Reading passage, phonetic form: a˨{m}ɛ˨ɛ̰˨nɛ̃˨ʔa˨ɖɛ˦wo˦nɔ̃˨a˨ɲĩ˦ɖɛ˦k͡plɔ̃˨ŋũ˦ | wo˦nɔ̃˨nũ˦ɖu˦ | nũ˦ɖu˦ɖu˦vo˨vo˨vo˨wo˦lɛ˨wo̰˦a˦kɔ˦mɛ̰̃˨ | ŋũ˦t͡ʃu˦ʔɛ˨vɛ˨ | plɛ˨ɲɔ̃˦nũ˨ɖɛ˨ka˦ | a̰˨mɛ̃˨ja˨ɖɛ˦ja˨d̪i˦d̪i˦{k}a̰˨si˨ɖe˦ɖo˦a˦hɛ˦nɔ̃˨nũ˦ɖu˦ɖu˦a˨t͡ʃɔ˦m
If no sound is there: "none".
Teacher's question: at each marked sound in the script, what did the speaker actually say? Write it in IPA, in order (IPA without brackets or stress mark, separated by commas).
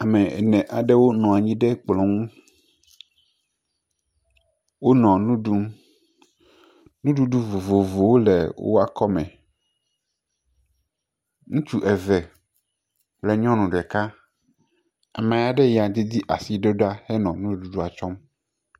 m, ʔ